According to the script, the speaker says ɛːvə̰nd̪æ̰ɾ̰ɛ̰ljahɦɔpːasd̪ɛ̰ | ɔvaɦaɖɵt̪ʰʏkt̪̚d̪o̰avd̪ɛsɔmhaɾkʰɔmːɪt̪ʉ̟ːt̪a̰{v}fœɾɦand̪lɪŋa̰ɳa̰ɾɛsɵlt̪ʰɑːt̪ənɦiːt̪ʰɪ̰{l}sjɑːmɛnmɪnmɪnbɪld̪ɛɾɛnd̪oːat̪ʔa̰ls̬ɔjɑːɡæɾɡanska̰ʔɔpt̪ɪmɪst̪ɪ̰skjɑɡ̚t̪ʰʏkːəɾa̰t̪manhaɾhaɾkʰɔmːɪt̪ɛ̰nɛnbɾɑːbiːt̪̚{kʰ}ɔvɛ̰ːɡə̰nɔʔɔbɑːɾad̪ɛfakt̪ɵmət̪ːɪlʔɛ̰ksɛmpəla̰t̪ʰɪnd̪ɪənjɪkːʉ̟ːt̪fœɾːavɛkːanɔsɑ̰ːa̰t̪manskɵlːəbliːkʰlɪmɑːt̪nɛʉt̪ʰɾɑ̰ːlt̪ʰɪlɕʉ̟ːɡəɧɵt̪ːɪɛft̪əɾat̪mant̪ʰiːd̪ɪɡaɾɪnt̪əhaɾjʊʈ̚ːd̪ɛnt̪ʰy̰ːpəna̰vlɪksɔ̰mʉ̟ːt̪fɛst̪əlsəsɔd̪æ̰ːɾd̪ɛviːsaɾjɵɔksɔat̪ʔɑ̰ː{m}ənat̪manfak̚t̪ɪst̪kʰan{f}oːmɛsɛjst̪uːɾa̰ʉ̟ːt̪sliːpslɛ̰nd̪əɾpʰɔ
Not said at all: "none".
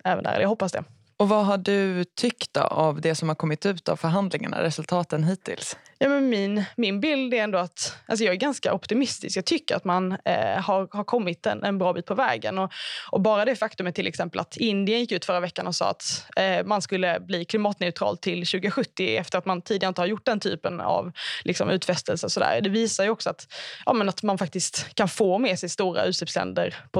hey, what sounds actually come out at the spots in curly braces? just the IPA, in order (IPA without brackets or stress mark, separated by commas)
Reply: v, l, pʰ, m, f